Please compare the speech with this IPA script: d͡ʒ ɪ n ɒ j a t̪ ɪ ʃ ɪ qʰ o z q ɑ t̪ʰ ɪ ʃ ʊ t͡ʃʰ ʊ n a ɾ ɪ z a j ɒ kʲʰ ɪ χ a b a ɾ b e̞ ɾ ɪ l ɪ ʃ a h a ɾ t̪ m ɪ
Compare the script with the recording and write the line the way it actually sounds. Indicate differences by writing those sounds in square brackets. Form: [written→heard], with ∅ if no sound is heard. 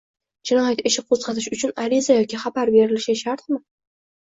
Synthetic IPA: d͡ʒ ɪ n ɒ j a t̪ ɪ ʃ ɪ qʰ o z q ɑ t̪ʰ ɪ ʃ ʊ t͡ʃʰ ʊ n a ɾ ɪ z a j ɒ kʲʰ ɪ χ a b a ɾ b e̞ ɾ ɪ l ɪ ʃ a [h→ʃ] a ɾ t̪ m ɪ